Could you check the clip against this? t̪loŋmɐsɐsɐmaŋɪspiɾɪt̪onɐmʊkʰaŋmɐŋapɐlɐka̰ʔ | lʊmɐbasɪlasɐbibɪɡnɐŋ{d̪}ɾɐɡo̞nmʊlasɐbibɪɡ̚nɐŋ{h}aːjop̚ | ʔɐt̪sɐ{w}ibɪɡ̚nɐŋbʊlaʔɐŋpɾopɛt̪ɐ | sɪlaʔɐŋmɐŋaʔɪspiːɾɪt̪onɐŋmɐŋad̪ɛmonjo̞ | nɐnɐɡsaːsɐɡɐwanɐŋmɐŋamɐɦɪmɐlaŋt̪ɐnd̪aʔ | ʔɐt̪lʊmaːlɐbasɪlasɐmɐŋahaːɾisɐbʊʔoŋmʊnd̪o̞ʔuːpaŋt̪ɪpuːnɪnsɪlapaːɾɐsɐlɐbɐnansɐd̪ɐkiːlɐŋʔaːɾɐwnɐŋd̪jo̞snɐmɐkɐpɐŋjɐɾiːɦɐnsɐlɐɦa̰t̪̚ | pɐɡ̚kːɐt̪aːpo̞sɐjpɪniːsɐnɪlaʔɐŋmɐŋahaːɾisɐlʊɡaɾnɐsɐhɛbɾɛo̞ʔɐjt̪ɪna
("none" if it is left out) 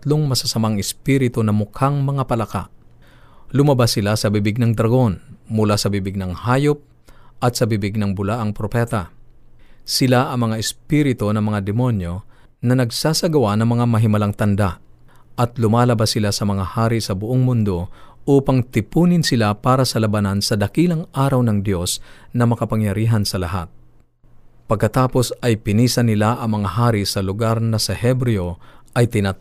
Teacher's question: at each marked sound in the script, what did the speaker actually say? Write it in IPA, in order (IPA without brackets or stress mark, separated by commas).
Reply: d̪, h, b